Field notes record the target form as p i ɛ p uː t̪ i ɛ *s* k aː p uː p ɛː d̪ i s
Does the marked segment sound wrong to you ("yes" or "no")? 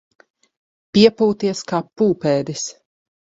no